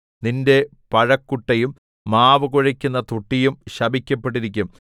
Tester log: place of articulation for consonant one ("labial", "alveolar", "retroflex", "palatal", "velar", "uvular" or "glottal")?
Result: alveolar